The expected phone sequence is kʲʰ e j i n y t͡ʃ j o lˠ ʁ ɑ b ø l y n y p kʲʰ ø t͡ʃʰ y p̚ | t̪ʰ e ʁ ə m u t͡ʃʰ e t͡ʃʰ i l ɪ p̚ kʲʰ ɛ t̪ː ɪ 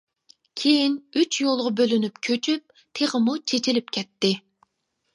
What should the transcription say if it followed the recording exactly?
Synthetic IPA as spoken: kʲʰ e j i n y t͡ʃ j o lˠ ʁ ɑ b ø l y n y p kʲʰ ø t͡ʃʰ y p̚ | t̪ʰ e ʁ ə m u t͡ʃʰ e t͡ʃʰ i l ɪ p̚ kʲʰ ɛ t̪ː ɪ